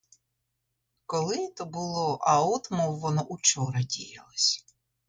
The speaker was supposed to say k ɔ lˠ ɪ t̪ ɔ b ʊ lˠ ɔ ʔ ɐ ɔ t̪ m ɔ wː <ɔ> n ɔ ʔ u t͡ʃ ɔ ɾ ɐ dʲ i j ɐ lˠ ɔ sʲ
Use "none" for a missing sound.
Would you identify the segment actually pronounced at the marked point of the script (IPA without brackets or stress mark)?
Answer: ɔ